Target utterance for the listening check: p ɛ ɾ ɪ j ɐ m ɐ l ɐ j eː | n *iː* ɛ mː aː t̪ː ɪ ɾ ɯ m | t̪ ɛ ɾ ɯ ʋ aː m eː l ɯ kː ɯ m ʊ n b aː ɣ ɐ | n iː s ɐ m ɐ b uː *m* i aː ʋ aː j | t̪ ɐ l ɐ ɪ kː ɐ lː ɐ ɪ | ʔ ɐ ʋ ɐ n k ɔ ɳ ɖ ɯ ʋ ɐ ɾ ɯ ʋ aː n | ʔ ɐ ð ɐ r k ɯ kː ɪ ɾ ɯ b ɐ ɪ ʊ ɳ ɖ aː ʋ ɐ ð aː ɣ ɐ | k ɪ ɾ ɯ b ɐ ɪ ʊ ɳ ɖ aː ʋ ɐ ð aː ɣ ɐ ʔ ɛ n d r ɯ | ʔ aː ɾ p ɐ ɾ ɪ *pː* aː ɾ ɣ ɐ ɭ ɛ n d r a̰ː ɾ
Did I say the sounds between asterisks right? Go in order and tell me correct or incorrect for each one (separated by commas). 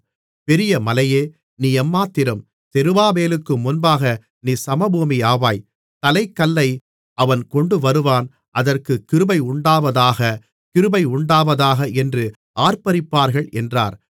correct, correct, correct